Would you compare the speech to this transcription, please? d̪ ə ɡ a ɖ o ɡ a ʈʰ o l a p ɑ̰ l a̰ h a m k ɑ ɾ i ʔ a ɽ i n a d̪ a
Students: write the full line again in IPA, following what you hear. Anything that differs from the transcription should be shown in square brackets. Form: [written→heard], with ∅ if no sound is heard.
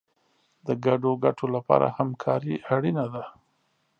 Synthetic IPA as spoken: d̪ ə ɡ a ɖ o ɡ a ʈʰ o l a p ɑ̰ [l→ɾ] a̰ h a m [k→kʰ] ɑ ɾ i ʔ a ɽ i n a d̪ a